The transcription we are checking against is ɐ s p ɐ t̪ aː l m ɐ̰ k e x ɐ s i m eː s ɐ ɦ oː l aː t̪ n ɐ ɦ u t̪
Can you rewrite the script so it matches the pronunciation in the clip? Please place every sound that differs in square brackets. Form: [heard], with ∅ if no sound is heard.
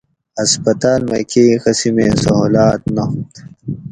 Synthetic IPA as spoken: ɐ s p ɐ t̪ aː l m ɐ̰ k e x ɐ s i m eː s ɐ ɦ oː l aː t̪ n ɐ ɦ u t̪